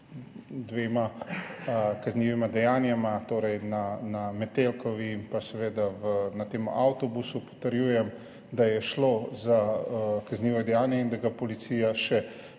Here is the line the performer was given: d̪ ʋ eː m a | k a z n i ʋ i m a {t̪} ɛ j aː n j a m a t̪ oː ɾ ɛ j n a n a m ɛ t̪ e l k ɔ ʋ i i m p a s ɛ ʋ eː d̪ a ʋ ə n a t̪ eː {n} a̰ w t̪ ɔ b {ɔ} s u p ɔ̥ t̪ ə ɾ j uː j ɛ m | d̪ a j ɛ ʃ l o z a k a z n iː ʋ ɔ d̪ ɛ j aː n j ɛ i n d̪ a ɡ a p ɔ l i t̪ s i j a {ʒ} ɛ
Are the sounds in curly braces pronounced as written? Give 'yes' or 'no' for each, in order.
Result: no, no, no, no

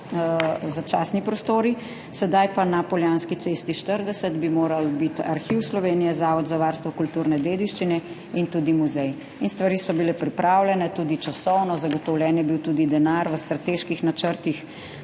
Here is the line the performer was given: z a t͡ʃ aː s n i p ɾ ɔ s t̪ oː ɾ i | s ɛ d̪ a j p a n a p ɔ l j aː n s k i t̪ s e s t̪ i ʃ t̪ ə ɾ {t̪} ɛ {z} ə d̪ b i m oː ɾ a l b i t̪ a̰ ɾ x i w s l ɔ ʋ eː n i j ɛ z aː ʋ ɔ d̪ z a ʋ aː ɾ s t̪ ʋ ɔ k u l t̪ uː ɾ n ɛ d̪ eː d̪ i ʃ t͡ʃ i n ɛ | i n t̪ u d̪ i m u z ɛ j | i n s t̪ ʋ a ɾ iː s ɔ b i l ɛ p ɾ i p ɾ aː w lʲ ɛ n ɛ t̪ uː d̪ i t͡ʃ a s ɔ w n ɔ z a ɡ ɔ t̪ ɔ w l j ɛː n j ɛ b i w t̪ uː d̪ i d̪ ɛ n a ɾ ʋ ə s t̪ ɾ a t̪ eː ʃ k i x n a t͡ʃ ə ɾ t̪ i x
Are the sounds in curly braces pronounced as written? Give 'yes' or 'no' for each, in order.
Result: no, no

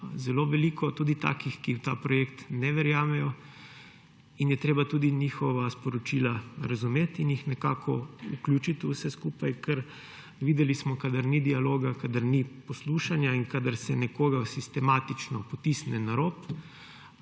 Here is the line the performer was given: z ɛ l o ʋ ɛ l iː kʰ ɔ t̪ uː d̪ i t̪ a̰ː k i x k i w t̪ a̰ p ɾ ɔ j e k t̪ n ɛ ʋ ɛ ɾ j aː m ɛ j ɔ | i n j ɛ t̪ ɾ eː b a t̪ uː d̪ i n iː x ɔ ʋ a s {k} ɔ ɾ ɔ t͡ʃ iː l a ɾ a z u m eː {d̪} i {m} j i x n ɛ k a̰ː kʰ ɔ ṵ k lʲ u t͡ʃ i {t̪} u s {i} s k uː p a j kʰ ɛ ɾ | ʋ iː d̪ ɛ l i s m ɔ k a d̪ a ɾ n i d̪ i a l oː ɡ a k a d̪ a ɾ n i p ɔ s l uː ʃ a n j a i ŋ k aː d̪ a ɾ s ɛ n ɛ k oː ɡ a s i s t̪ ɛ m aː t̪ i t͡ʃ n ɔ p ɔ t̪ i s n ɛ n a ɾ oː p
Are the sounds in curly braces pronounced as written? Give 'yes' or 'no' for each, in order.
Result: no, no, no, yes, no

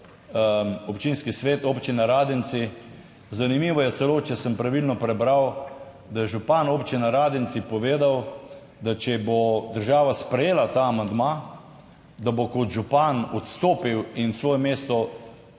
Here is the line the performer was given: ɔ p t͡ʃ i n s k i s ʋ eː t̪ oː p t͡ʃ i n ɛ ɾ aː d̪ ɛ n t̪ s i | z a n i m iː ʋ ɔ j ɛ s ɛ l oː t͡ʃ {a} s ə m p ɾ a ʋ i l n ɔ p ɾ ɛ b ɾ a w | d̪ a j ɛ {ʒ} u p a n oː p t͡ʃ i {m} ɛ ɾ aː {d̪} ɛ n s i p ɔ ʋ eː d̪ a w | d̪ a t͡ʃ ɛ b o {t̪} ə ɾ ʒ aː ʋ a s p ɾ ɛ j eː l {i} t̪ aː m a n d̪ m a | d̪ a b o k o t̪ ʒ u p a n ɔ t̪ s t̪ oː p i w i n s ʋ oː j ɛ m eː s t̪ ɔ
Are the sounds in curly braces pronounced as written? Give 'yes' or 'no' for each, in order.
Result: no, yes, no, yes, no, no

